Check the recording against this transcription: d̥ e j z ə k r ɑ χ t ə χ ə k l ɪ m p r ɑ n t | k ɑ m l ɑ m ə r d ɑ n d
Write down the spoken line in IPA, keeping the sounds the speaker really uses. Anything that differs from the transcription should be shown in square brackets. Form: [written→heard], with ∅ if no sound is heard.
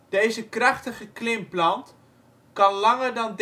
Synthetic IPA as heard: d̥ e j z ə k r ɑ χ t ə χ ə k l ɪ m p [r→l] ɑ n t | k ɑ [m→n] l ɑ [m→ŋ] ə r d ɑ n d